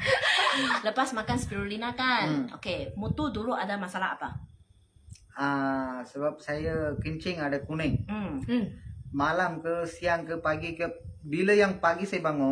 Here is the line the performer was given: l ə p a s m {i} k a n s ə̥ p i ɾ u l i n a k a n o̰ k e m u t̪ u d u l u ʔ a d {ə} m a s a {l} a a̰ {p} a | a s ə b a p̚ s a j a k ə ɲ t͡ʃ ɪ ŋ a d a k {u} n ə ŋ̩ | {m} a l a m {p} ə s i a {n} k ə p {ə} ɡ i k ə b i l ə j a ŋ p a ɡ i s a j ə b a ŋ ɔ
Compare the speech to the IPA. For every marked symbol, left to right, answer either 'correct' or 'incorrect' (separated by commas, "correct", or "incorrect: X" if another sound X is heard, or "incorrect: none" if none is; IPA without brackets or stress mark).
incorrect: a, incorrect: a, correct, correct, correct, correct, incorrect: k, incorrect: ŋ, incorrect: a